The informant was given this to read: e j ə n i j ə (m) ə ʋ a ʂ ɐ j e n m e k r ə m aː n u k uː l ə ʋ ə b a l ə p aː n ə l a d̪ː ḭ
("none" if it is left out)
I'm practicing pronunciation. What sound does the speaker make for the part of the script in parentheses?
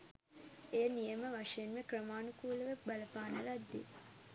m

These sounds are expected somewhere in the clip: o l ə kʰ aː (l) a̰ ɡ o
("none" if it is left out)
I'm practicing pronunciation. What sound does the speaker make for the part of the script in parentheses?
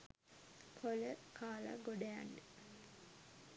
l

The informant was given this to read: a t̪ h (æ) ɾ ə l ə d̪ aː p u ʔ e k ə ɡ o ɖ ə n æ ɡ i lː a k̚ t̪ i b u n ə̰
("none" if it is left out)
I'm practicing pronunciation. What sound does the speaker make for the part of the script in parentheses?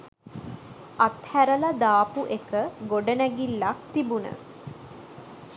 æ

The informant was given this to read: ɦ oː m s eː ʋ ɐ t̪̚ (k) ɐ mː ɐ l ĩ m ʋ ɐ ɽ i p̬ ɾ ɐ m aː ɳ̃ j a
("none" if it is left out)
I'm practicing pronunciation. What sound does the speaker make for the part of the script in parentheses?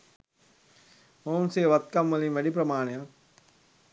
k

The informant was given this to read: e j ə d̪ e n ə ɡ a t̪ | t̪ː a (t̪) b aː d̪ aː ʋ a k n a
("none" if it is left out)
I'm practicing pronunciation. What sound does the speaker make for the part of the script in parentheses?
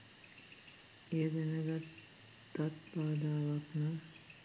t̪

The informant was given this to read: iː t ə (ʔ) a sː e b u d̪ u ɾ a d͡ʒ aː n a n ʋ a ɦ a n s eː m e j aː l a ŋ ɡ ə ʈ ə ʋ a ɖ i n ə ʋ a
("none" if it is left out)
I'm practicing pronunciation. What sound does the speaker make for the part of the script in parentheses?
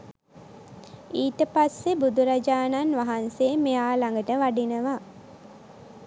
p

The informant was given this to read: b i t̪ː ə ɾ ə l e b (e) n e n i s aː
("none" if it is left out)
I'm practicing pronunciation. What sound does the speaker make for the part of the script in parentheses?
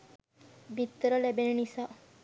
e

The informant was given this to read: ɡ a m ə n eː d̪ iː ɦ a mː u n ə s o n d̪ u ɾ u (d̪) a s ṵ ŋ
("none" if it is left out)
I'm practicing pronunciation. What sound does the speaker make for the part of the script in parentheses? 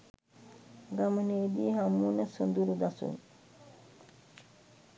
d̪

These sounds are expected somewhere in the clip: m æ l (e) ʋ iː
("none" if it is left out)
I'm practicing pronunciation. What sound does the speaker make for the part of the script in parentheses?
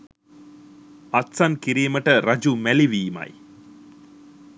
i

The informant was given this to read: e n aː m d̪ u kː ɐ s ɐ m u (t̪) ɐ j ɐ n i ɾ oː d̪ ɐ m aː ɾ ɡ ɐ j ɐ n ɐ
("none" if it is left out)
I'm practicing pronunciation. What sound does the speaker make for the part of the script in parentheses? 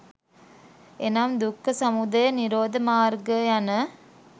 d̪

